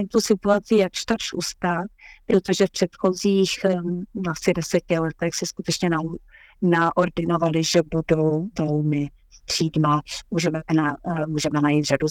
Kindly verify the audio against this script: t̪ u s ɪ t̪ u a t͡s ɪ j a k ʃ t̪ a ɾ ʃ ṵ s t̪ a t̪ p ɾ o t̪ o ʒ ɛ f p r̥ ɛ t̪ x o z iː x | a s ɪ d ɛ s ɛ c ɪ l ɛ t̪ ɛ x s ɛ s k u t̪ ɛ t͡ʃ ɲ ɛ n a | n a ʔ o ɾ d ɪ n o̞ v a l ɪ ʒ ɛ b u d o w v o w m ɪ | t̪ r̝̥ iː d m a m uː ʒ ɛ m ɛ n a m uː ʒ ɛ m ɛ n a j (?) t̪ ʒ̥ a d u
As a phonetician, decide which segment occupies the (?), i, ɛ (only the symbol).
i